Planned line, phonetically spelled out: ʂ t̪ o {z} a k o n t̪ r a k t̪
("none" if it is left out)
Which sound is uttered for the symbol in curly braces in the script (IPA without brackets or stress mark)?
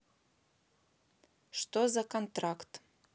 z